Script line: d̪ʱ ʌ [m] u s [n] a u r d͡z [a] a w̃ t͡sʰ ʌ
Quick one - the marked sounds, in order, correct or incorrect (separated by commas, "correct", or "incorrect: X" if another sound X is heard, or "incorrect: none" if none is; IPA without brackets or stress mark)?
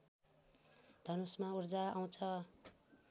incorrect: n, incorrect: m, correct